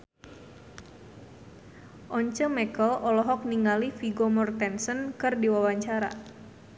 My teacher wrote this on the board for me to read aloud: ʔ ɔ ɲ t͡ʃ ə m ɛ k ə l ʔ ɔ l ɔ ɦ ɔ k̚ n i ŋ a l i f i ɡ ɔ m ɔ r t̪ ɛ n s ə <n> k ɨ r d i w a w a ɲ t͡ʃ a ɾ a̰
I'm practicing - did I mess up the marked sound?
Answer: no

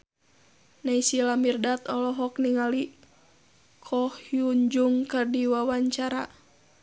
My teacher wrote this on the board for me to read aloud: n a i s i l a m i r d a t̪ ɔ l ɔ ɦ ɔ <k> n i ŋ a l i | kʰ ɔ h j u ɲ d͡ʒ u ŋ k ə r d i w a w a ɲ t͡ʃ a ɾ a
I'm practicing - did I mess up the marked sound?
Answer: no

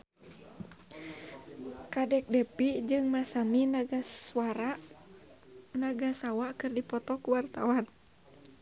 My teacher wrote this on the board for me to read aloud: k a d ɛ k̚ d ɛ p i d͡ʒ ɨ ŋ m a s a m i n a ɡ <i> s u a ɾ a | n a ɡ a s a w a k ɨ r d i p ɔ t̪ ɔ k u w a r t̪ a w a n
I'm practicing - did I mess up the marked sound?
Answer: yes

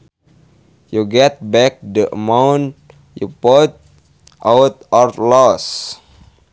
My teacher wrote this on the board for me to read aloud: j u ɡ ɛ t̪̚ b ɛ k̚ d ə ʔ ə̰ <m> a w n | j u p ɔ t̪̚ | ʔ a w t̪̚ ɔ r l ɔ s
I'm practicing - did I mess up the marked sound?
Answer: no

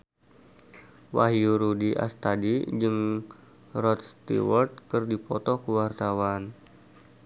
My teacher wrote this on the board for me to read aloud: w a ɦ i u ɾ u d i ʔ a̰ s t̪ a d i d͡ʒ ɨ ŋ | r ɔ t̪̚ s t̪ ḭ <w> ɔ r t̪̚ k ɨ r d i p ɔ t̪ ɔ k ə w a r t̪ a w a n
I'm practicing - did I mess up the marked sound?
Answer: no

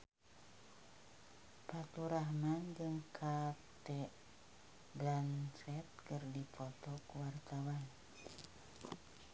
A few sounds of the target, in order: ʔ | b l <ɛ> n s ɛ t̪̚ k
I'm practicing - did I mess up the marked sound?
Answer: yes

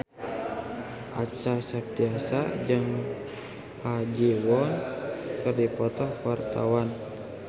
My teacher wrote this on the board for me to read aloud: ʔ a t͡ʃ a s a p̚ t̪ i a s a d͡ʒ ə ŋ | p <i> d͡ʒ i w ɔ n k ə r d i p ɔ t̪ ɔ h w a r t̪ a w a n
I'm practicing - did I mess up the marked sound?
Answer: yes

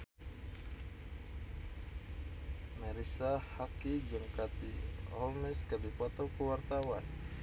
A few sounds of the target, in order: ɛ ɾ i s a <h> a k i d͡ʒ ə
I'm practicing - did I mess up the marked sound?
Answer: no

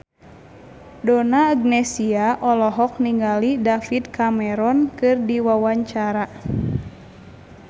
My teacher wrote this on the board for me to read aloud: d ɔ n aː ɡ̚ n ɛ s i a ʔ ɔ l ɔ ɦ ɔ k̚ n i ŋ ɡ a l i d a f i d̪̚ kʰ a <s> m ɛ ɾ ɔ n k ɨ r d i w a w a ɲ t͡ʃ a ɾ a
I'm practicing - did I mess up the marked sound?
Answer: yes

